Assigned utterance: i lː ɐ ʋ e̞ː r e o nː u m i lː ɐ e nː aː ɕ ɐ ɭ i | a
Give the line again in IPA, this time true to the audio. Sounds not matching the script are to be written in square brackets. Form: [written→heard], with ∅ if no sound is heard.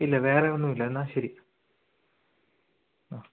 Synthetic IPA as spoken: i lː ɐ ʋ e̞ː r e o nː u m i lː ɐ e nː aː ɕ ɐ [ɭ→ɾ] i | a